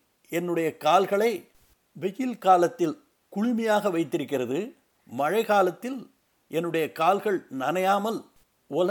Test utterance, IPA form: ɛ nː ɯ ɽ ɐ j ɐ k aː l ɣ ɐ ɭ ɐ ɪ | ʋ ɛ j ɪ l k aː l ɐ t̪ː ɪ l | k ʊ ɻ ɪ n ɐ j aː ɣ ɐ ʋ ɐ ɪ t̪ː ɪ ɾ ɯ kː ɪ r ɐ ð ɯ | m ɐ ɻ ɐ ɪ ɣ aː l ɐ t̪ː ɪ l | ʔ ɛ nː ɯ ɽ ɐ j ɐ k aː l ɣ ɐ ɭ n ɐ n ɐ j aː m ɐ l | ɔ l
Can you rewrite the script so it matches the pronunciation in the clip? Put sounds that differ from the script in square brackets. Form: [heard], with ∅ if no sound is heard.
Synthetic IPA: ɛ nː ɯ ɽ ɐ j ɐ k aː l ɣ ɐ ɭ ɐ ɪ | ʋ ɛ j ɪ l k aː l ɐ t̪ː ɪ l | k ʊ ɻ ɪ [m] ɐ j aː ɣ ɐ ʋ ɐ ɪ t̪ː ɪ ɾ ɯ kː ɪ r ɐ ð ɯ | m ɐ ɻ ɐ ɪ ɣ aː l ɐ t̪ː ɪ l | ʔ ɛ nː ɯ ɽ ɐ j ɐ k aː l ɣ ɐ ɭ n ɐ n ɐ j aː m ɐ l | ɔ l